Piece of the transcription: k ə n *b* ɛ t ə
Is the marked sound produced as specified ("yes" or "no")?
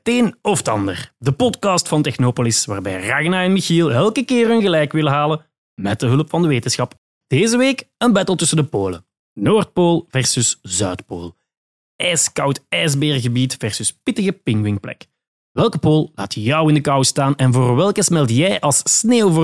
yes